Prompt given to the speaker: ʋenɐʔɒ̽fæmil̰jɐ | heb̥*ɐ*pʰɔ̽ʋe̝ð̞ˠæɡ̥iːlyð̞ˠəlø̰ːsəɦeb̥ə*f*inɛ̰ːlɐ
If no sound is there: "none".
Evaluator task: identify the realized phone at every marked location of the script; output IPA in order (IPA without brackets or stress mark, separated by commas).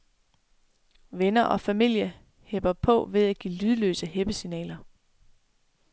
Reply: ɐ, s